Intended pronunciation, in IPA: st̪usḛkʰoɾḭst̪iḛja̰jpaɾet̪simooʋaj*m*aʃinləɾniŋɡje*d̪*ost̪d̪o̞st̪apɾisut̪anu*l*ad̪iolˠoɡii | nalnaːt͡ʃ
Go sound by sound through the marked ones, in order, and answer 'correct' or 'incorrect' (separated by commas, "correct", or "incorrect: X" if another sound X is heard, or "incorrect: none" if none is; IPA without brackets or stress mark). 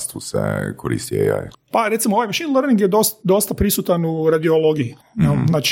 correct, correct, incorrect: ɾ